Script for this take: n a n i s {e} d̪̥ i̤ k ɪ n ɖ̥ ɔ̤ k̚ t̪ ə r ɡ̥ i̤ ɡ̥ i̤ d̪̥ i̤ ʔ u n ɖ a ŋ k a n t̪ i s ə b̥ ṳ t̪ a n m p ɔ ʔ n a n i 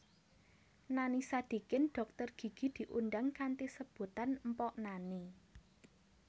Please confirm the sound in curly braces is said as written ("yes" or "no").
no